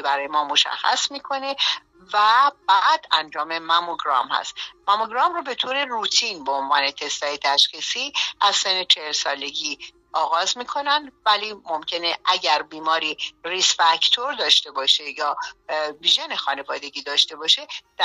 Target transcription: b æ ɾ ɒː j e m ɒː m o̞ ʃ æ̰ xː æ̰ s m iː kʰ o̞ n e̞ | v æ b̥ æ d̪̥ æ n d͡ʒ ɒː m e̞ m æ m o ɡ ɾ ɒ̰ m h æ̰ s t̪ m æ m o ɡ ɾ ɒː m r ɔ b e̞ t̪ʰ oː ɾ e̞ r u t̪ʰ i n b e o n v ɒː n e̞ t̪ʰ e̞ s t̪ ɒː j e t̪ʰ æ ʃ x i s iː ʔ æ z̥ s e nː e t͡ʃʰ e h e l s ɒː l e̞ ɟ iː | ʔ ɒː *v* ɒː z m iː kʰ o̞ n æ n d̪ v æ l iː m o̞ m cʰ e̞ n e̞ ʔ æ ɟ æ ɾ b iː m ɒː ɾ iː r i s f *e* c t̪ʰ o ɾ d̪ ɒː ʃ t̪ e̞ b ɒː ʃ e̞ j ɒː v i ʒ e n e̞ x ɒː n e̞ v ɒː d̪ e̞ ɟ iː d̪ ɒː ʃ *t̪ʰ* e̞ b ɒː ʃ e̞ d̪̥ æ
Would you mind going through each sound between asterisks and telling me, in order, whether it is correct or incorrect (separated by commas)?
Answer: incorrect, incorrect, incorrect